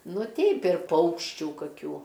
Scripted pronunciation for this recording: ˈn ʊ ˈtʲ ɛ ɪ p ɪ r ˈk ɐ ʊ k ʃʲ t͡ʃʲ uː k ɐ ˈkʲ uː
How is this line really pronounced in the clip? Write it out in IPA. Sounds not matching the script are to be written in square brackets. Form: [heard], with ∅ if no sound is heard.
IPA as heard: ˈn ʊ ˈtʲ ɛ ɪ p ɪ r [ˈp] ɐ ʊ k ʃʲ t͡ʃʲ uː k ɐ ˈkʲ uː